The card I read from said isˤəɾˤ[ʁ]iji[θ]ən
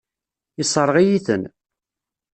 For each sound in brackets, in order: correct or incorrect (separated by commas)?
correct, correct